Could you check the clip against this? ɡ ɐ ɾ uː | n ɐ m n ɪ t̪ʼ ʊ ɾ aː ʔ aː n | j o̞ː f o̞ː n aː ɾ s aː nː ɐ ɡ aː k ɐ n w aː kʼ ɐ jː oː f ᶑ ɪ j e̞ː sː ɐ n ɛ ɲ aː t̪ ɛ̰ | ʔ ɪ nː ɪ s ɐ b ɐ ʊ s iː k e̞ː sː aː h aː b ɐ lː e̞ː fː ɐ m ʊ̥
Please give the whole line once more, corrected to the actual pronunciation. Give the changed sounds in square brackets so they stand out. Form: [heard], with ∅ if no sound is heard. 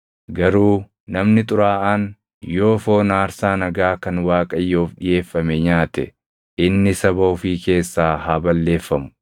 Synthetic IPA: ɡ ɐ ɾ uː | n ɐ m n ɪ t̪ʼ ʊ ɾ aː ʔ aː n | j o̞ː f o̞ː n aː ɾ s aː [n] ɐ ɡ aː k ɐ n w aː kʼ ɐ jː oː f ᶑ ɪ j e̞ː [fː] ɐ [m] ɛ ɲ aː t̪ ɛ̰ | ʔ ɪ nː ɪ s ɐ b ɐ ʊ [f] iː k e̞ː sː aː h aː b ɐ lː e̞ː fː ɐ m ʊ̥